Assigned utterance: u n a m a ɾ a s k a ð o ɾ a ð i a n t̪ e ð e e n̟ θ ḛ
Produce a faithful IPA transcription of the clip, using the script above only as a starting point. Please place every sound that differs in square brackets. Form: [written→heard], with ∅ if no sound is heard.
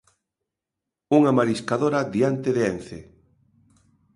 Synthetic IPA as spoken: u [n→ŋ] a m a ɾ [a→i] s k a ð o ɾ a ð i a n t̪ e ð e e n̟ θ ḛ